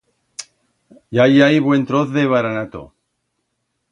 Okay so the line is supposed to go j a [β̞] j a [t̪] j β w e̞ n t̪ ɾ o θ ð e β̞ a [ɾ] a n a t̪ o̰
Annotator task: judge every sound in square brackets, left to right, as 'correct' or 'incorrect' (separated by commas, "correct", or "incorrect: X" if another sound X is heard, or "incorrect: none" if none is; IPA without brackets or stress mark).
incorrect: none, incorrect: none, correct